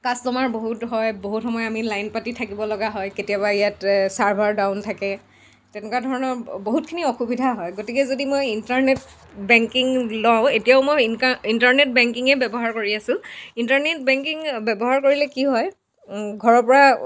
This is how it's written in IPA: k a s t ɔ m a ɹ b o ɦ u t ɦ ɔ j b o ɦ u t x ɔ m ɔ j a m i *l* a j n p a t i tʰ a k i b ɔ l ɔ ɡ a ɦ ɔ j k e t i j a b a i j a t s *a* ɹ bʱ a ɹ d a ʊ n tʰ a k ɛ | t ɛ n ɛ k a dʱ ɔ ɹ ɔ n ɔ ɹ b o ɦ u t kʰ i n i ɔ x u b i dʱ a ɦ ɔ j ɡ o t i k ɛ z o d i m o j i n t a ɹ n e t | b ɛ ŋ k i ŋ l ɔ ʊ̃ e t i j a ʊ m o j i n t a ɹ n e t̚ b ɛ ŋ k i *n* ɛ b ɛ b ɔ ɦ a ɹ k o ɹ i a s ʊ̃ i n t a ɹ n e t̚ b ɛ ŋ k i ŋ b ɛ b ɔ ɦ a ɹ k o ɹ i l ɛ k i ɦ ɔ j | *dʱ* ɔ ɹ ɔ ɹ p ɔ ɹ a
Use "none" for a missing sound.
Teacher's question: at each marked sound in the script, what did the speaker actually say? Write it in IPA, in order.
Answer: l, a, ŋ, ɡʱ

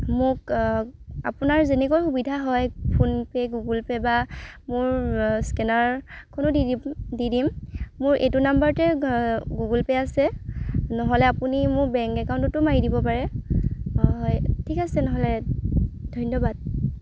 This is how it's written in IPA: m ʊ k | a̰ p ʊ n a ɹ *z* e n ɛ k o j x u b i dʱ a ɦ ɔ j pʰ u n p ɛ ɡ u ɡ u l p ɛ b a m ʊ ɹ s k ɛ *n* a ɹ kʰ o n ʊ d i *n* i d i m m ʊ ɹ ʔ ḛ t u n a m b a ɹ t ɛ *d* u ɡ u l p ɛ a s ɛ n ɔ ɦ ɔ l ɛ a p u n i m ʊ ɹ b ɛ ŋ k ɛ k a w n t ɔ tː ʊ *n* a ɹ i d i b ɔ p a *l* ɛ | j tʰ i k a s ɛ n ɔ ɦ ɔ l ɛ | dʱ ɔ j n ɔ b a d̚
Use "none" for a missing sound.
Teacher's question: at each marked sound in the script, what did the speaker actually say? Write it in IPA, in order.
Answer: z, n, d, ɡ, m, ɹ

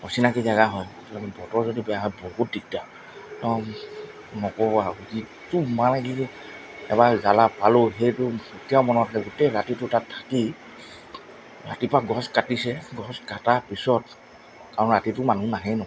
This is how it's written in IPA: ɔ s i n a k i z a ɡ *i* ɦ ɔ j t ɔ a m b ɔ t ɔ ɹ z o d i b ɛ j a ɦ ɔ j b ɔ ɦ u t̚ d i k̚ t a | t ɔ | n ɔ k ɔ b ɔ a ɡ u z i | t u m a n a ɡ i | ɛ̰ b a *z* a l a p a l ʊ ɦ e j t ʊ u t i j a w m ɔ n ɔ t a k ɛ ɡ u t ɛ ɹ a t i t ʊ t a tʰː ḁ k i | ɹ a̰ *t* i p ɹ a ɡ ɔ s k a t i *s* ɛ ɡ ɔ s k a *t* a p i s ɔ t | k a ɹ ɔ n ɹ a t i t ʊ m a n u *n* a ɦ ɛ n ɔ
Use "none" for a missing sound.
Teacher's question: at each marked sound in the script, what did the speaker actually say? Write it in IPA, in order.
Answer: a, z, t, s, t, n

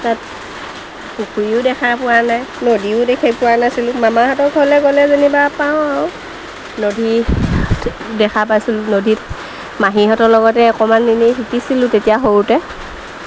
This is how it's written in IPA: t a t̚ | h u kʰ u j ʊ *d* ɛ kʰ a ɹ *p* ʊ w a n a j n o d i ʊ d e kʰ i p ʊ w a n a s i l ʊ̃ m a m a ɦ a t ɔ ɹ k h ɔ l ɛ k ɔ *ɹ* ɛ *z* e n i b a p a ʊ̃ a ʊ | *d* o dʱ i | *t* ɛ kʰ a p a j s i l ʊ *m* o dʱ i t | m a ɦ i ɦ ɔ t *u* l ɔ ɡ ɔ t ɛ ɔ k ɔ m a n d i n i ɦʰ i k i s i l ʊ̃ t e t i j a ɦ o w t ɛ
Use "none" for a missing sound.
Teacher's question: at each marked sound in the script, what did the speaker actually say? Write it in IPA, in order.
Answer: d, p, l, z, n, d, n, ɔ

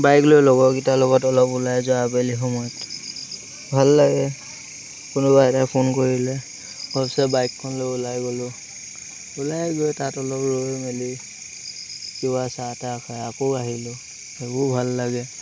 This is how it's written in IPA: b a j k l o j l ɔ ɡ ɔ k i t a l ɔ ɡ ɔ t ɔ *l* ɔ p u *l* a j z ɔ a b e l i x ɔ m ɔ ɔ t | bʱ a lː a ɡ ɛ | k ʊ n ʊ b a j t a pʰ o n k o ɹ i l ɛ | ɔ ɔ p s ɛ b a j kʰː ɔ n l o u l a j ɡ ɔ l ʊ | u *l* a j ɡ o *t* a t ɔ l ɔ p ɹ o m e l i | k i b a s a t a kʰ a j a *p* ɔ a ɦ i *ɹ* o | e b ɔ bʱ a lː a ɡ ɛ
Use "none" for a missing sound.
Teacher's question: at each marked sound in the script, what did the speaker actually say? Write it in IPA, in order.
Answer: l, l, l, t, k, l

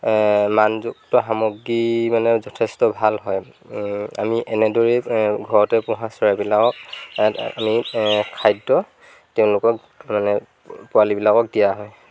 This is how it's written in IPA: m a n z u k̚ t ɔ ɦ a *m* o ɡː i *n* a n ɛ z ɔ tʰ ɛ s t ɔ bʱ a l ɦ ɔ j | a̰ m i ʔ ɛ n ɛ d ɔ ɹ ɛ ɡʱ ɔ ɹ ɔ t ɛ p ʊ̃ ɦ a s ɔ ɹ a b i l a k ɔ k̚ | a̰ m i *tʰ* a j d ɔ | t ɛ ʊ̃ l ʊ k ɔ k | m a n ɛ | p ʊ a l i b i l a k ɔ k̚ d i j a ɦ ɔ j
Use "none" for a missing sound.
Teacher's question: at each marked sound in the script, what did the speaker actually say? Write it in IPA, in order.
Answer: m, m, kʰ

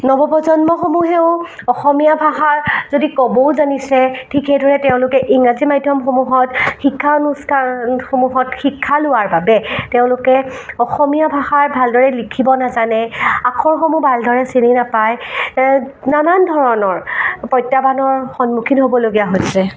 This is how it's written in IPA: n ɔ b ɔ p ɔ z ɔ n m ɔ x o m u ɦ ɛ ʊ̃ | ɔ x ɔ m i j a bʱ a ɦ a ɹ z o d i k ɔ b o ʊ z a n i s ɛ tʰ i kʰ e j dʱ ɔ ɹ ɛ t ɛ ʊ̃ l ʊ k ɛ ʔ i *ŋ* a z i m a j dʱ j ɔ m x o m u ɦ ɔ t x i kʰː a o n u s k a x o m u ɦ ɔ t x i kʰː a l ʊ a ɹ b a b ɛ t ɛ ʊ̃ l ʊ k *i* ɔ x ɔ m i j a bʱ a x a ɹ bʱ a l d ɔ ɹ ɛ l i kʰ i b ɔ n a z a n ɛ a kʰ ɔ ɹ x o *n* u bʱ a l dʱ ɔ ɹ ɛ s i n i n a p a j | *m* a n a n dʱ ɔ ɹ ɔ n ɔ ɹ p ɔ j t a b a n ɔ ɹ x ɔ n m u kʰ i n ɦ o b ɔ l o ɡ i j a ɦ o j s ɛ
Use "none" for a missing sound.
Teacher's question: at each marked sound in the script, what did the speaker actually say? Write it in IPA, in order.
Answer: ŋ, ɛ, m, n

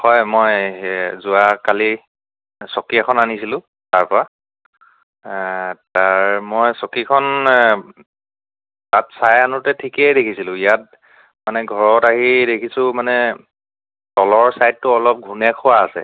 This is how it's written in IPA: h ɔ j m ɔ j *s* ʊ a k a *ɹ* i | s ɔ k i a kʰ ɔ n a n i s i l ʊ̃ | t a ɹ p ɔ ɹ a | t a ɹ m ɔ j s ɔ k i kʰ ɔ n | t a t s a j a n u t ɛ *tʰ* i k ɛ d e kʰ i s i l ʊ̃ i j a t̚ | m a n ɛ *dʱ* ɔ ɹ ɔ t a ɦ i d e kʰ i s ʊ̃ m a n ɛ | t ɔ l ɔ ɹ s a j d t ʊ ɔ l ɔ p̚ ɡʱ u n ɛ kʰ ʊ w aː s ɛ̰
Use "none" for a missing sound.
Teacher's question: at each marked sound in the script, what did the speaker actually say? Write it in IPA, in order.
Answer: z, l, tʰ, ɡʱ

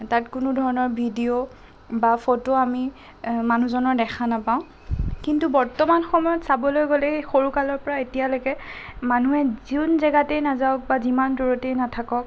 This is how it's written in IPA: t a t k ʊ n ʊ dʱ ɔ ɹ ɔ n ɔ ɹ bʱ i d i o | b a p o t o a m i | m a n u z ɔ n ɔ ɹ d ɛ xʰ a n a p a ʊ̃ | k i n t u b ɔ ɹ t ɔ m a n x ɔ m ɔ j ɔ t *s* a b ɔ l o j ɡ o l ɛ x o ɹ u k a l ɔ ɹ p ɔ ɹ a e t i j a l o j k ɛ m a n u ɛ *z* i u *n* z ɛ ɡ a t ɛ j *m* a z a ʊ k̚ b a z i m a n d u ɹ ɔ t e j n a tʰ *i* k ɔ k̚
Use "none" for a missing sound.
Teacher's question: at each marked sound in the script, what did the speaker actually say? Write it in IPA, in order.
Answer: s, z, n, n, a

